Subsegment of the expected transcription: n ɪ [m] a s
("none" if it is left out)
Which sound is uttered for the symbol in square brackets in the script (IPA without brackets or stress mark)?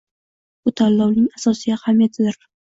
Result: ŋ